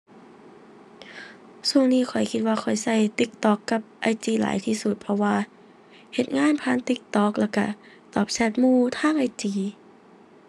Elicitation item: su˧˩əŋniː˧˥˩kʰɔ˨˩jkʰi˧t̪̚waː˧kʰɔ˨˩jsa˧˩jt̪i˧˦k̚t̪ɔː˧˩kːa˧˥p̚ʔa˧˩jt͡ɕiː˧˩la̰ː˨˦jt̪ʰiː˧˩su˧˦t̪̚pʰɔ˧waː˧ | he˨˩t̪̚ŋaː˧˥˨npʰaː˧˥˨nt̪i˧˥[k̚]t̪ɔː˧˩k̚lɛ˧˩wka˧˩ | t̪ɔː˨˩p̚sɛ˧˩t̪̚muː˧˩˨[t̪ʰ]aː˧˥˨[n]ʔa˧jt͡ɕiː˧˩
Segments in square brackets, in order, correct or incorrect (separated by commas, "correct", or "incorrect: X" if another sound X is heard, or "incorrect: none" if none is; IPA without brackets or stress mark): correct, correct, incorrect: ŋ